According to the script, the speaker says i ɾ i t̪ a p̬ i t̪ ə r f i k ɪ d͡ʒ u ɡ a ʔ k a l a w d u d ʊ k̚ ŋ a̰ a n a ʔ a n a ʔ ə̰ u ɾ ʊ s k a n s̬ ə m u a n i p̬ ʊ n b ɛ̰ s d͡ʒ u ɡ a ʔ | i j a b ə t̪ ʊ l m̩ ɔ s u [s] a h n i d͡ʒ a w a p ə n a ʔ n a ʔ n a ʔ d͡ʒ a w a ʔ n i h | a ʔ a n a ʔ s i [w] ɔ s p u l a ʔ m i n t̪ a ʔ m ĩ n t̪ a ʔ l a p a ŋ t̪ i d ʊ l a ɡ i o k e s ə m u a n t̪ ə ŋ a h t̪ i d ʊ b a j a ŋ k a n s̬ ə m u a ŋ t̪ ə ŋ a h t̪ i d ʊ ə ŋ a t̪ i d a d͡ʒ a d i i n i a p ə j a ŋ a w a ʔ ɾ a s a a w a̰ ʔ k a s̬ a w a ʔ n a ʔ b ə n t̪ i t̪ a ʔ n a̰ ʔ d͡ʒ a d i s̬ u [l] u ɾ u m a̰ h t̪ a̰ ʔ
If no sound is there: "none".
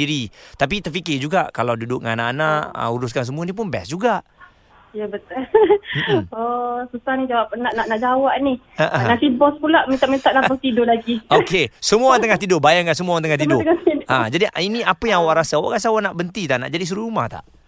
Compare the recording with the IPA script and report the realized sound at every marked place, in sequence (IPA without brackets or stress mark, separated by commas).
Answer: s, b, ɾ